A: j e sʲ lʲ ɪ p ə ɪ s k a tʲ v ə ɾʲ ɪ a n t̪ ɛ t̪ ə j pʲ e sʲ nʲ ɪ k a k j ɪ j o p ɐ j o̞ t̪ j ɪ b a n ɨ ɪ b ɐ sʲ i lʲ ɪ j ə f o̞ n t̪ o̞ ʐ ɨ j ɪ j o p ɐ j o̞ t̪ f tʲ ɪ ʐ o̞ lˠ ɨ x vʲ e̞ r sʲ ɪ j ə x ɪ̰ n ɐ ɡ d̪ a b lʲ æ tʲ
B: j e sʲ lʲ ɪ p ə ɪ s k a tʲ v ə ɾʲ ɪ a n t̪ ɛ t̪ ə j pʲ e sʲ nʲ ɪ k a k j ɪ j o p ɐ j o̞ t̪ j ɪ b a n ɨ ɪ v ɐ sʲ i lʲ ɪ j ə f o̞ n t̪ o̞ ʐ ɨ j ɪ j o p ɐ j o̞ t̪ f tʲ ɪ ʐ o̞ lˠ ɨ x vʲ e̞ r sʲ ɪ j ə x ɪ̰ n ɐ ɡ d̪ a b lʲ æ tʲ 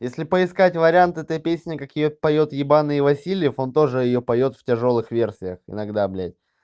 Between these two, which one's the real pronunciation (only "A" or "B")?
B